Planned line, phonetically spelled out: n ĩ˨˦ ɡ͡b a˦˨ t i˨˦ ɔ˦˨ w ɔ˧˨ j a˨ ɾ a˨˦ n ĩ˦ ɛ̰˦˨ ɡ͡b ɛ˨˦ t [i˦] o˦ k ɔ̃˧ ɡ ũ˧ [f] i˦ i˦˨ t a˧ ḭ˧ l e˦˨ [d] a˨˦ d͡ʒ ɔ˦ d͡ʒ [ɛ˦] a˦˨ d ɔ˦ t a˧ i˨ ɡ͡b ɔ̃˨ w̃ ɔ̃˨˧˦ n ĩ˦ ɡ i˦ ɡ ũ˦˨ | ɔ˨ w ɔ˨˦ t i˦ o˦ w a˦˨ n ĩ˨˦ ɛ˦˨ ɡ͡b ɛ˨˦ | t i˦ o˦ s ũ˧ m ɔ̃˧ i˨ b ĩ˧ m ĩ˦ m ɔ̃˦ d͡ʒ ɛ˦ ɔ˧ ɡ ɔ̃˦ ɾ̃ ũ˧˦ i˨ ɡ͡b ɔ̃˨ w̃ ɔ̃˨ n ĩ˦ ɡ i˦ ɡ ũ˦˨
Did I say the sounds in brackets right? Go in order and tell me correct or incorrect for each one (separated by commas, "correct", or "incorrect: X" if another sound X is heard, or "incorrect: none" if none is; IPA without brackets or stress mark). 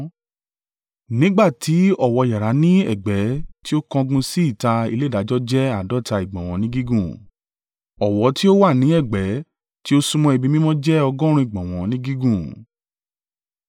correct, incorrect: s, correct, correct